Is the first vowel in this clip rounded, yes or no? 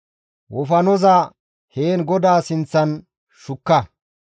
yes